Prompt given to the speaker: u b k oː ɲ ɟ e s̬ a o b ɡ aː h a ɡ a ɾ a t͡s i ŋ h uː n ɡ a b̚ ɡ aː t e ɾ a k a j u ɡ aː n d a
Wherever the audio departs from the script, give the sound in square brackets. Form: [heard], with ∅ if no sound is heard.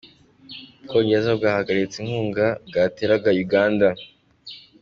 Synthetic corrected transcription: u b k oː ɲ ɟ e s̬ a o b ɡ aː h a ɡ a ɾ [i] t͡s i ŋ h uː [ŋ] ɡ a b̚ ɡ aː t e ɾ a [ɡ] a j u ɡ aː n d a